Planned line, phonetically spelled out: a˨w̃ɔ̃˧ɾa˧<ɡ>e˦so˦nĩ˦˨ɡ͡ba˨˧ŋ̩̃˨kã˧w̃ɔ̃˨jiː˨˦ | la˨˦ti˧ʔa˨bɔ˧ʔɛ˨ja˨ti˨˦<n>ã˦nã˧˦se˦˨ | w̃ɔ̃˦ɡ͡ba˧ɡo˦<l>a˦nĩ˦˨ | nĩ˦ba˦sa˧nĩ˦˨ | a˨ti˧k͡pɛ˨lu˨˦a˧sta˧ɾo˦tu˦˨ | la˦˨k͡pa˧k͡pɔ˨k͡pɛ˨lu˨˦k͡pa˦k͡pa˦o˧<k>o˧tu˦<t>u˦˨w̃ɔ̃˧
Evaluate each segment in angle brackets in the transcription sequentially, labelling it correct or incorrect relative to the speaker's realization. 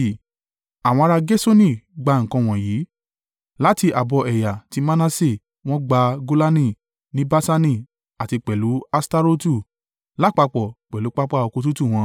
correct, incorrect: m, correct, correct, correct

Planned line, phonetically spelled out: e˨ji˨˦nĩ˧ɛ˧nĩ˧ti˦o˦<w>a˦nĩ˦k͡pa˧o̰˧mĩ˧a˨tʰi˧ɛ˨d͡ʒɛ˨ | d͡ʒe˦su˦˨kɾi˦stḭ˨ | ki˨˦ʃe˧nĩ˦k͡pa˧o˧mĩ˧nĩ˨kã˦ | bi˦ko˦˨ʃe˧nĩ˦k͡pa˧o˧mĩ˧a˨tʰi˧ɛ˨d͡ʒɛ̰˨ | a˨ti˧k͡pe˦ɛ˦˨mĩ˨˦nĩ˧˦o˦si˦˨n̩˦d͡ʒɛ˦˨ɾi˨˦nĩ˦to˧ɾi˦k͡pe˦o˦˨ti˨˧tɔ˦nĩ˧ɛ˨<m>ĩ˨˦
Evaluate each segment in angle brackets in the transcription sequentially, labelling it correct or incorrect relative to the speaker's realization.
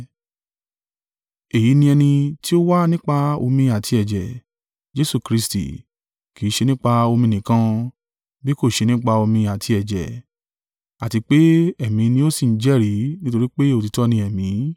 correct, correct

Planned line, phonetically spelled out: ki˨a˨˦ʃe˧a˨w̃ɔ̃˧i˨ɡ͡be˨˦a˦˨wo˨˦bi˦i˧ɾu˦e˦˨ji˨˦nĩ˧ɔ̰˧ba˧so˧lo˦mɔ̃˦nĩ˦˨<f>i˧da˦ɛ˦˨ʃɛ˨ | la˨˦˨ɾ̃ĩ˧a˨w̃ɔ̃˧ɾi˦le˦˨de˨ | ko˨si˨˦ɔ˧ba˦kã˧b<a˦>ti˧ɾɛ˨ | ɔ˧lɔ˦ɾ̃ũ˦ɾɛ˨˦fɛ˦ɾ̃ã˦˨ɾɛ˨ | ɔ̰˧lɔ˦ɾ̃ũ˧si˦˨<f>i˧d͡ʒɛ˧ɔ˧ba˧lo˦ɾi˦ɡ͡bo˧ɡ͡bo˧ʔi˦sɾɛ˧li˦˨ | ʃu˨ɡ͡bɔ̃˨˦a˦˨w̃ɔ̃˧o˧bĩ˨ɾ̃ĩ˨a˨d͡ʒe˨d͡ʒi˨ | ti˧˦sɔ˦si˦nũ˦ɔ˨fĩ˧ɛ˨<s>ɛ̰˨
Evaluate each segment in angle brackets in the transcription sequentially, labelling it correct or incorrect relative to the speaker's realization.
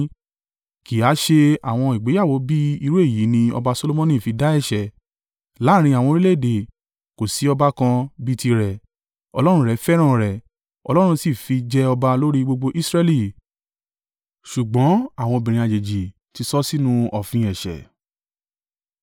correct, incorrect: i˦, correct, incorrect: ʃ

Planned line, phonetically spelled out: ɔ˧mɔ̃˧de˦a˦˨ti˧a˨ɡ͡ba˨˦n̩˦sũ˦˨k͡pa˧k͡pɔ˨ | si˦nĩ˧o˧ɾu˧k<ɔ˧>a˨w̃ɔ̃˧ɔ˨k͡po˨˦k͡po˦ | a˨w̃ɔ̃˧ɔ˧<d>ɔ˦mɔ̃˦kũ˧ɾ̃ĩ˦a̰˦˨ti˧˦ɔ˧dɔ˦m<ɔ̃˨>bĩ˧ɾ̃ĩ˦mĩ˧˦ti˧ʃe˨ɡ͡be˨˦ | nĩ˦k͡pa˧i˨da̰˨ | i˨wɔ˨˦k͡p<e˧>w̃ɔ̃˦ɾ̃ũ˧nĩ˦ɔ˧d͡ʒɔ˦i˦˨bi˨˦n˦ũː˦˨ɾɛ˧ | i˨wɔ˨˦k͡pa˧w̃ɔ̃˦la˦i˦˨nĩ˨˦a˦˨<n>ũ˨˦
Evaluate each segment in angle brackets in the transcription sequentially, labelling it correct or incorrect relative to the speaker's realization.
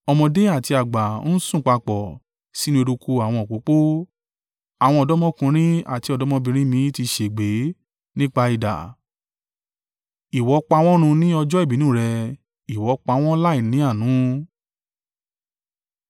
incorrect: u˧, correct, incorrect: ɔ̃˦, incorrect: a˧, correct

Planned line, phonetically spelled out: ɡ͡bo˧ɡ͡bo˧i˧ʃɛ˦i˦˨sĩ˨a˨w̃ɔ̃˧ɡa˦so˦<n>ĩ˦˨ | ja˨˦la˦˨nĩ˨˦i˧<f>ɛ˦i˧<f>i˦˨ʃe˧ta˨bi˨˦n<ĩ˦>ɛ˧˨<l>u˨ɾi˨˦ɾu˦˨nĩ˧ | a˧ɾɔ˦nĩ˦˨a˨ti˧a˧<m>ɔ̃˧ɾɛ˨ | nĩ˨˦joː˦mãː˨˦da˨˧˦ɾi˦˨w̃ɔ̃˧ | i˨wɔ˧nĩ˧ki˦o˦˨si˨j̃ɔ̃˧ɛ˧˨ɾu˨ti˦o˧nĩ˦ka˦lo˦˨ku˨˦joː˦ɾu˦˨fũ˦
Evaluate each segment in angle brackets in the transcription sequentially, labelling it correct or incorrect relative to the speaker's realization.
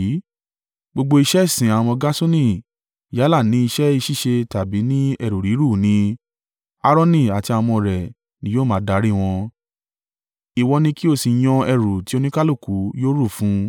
correct, incorrect: ʃ, incorrect: ʃ, correct, incorrect: ɾ, correct

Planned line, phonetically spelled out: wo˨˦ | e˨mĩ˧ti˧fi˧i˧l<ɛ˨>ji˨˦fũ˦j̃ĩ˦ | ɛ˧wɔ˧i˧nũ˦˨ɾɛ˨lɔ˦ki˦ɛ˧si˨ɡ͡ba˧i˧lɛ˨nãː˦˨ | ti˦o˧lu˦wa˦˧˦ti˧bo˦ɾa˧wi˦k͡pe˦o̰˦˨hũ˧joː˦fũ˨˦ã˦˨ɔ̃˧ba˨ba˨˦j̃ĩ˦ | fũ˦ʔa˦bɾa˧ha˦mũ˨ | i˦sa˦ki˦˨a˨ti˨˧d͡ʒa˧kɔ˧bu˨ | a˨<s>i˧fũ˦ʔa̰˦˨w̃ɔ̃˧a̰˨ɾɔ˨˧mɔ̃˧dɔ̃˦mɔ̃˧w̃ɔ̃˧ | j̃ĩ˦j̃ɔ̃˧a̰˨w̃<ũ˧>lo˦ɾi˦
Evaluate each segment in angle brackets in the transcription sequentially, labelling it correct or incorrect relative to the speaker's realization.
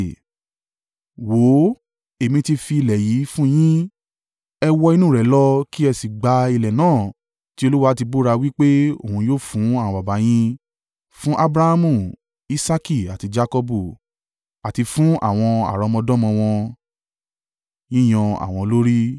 correct, incorrect: t, incorrect: ɔ̃˧

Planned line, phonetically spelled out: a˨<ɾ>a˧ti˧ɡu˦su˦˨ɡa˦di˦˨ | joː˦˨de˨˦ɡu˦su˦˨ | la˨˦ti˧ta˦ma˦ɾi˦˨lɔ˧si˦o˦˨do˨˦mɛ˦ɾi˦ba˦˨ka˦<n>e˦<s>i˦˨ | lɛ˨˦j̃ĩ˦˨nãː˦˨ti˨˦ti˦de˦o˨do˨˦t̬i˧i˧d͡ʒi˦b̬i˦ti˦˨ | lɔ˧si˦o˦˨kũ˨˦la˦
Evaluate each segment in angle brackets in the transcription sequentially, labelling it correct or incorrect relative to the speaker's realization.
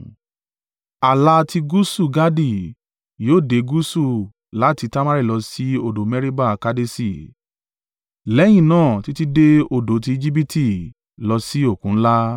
incorrect: l, incorrect: d, correct

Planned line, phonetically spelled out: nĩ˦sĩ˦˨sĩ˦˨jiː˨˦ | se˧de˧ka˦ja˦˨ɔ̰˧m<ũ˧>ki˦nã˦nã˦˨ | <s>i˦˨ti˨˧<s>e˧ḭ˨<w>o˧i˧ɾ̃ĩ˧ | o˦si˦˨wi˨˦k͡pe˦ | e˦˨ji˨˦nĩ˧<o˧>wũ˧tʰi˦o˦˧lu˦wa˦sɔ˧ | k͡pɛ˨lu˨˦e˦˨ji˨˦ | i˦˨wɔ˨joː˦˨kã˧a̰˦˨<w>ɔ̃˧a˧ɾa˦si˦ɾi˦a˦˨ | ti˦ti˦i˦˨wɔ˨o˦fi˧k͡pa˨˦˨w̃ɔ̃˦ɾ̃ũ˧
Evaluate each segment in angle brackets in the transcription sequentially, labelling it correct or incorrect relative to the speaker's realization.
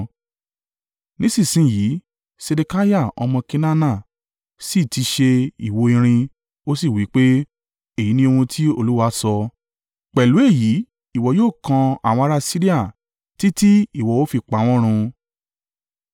incorrect: ɔ̃˧, correct, incorrect: ʃ, correct, correct, correct

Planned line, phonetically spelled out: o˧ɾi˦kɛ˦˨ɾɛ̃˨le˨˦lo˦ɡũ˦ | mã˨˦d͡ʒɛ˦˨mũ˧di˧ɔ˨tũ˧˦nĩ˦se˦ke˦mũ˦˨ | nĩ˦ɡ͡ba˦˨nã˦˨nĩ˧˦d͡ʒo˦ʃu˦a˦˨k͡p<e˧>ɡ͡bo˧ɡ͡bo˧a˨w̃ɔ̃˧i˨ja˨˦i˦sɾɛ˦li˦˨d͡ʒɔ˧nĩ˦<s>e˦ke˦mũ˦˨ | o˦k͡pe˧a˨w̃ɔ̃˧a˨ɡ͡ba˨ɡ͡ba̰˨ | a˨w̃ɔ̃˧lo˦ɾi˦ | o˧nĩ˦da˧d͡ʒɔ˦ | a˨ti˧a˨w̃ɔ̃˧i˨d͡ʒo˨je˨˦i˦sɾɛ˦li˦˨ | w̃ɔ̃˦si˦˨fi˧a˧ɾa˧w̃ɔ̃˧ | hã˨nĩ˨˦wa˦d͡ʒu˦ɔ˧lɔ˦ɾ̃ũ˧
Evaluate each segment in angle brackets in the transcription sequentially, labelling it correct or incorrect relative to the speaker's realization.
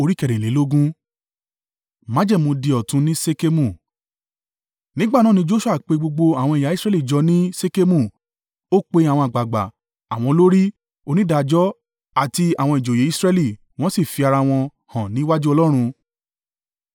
correct, correct

